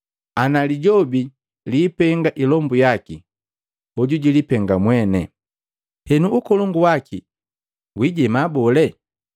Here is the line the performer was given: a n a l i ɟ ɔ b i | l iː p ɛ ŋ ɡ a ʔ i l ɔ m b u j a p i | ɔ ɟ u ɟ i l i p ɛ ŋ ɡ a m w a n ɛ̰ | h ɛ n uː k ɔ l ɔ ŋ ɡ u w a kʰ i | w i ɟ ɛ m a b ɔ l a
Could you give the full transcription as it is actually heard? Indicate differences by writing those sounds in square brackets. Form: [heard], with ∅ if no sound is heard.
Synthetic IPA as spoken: a n a l i ɟ ɔ b i | l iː p ɛ ŋ ɡ a ʔ i l ɔ m b u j a [k] i | ɔ ɟ u ɟ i l i p ɛ ŋ ɡ a m w [ɛ] n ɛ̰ | h ɛ n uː k ɔ l ɔ ŋ ɡ u w a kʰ i | w i ɟ ɛ m a b ɔ l [ɛ]